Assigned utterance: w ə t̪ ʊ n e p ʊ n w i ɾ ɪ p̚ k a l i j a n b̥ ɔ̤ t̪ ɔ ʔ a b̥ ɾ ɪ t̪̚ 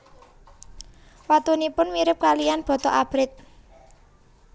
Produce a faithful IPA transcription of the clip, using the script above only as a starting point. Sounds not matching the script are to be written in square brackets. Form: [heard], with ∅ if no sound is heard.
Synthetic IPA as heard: w [a] t̪ [u] n [i] p ʊ n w i ɾ ɪ p̚ k a l i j a n b̥ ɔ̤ t̪ ɔ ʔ a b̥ ɾ ɪ t̪̚

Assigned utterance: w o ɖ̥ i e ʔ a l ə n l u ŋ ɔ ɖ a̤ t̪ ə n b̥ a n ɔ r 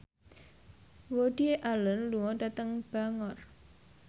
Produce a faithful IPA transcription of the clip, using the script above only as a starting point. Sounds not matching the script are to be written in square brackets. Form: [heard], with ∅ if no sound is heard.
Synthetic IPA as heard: w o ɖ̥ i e ʔ a l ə n l u ŋ ɔ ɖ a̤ t̪ ə [ŋ] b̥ a [ŋ] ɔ r

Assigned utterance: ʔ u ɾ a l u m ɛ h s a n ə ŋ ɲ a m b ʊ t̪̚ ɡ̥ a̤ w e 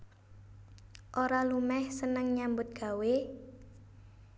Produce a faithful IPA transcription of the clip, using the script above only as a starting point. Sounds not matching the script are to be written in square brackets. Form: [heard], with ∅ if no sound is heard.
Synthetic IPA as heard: ʔ [o] ɾ a l u m ɛ h s [ə] n ə ŋ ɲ a m b ʊ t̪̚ ɡ̥ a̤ w e

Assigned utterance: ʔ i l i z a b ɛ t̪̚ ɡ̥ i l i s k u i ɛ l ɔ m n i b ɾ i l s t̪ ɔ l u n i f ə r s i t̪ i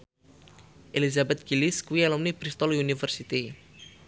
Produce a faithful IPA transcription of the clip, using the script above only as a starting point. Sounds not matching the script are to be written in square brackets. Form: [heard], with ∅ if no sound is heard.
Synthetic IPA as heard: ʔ [e] l i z a b ɛ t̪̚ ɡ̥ i l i s k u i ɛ l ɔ m n i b ɾ i [∅] s t̪ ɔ l u n i f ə r s i t̪ i

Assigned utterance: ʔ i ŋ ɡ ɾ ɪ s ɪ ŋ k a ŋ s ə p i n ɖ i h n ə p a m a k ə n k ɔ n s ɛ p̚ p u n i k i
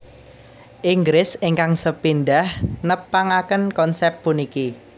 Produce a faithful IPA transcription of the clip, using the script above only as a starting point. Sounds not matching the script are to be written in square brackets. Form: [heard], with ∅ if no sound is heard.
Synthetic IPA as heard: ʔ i ŋ ɡ ɾ ɪ s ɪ ŋ k a ŋ s ə p i n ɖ [a] h n ə p a [ŋ] a k ə n k ɔ n s ɛ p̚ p u n i k i

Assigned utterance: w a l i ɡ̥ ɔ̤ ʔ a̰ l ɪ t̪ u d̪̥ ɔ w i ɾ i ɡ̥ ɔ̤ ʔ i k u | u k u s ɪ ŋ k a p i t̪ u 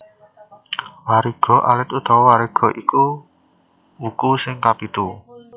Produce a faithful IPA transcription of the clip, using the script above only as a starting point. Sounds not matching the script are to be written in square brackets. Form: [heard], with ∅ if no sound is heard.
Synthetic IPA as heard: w a [ɾ] i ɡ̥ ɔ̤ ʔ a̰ l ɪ t̪ u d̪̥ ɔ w [a] ɾ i ɡ̥ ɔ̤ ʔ i k u | u k u s ɪ ŋ k a p i t̪ u

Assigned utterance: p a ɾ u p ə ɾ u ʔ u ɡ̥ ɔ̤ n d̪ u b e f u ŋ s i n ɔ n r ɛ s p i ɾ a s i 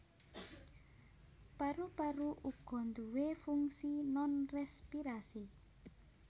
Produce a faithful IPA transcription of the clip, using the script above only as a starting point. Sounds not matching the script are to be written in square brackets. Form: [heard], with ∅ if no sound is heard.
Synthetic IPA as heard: p a ɾ u p [a] ɾ u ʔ u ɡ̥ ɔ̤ n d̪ u [w] e f u ŋ s i n ɔ n r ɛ s p i ɾ a s i

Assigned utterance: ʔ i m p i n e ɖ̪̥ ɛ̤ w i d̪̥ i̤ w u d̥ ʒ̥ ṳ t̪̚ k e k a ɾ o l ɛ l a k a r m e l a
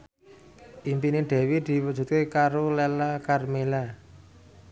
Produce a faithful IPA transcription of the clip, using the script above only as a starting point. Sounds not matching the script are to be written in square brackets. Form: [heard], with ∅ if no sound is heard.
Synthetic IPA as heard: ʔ i m p i n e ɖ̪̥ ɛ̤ w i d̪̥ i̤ w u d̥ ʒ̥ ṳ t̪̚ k e k a ɾ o l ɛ l a k a r m e l a

